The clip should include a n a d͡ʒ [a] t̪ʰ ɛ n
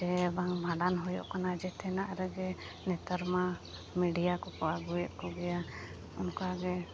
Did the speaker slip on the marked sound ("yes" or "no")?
yes